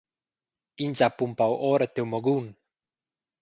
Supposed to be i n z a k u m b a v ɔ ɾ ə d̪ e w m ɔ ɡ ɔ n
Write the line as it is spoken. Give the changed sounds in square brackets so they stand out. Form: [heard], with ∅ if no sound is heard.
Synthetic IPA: i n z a [p] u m [p] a [w] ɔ ɾ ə [t̪] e w m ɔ ɡ [u] n